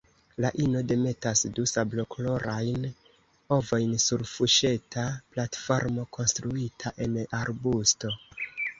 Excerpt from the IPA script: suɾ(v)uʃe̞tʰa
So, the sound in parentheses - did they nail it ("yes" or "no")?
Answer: no